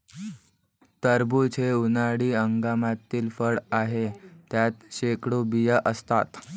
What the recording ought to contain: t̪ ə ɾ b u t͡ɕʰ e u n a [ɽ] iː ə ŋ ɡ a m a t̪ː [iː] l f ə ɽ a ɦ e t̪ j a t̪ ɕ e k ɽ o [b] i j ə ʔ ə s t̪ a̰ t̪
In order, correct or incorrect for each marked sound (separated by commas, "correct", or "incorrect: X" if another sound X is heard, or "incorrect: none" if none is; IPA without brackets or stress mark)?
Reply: correct, correct, correct